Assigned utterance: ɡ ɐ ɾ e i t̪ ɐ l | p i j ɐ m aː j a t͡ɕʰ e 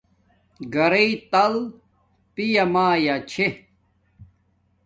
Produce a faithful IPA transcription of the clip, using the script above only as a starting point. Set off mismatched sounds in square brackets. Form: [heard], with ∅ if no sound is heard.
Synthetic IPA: ɡ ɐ ɾ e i t̪ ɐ l | p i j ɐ m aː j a t͡ɕʰ e